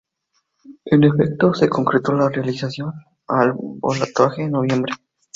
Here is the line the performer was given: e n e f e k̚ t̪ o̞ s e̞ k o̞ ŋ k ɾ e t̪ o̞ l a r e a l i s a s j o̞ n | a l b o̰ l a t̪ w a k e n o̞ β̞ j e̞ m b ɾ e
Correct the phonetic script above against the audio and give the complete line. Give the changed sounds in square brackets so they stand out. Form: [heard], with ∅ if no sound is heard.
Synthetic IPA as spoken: e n e f e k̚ t̪ o̞ s e̞ k o̞ ŋ k ɾ e t̪ o̞ l a r e a l i s a s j o̞ n | a l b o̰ l a t̪ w a [x] e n o̞ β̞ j e̞ m b ɾ e